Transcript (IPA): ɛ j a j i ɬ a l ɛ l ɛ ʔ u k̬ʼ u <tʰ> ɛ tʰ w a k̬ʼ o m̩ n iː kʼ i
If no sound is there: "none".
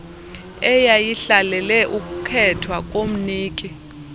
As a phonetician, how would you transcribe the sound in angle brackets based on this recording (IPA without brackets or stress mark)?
kʰ